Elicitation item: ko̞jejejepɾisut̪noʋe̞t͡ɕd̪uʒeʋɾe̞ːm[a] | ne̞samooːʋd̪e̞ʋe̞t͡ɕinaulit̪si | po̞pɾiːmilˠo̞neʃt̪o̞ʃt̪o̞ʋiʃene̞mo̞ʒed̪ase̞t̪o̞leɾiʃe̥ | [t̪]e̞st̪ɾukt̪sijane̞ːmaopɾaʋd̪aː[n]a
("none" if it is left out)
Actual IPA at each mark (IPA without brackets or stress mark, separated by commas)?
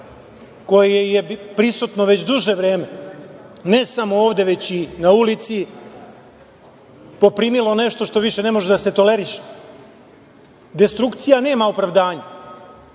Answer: e, d̪, ɲ